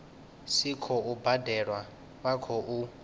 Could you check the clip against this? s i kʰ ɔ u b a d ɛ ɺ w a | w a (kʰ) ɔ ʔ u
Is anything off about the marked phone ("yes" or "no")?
no